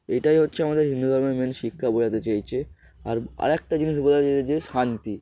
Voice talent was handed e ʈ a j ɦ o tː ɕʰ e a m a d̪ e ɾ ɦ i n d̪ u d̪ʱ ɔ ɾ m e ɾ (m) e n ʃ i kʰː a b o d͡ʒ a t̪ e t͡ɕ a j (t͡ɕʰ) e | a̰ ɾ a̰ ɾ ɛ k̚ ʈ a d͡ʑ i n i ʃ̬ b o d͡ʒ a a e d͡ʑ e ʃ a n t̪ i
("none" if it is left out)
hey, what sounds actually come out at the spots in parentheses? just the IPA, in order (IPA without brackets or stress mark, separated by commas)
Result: m, t͡ɕʰ